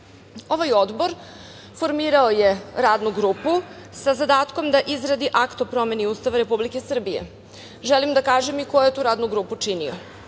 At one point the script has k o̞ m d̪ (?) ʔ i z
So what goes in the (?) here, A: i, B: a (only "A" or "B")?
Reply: B